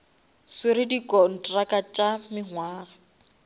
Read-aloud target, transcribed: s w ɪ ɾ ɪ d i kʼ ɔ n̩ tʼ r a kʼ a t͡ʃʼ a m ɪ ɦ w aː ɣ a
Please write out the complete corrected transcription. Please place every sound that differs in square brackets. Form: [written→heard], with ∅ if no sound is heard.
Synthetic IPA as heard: s w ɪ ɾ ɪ d i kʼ ɔ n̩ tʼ r a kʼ a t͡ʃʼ a m ɪ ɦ w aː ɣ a